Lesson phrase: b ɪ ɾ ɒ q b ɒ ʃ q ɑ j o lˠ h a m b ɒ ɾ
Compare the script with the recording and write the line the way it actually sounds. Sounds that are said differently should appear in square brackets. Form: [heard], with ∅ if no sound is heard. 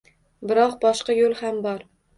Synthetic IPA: b ɪ ɾ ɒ q b ɒ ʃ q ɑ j o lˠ h a m b ɒ ɾ